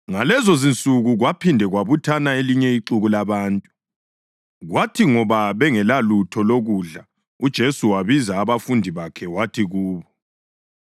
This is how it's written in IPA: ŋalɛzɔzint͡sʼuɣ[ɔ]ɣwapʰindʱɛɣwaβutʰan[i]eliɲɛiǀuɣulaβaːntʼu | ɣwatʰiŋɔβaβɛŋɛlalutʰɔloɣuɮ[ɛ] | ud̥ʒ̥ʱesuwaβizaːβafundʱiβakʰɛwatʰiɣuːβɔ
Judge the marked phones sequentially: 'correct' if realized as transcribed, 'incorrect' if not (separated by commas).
incorrect, incorrect, incorrect